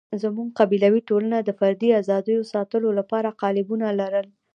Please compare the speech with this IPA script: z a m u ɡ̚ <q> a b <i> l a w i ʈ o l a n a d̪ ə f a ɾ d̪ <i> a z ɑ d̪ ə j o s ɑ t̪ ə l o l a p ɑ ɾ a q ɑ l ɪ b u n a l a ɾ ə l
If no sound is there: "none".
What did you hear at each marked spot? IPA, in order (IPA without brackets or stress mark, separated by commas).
q, i, i